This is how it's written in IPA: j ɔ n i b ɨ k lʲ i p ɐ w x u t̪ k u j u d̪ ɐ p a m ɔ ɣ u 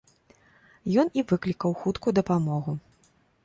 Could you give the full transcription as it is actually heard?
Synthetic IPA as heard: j ɔ n i v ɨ k lʲ i k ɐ w x u t̪ k u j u d̪ ɐ p a m ɔ ɣ u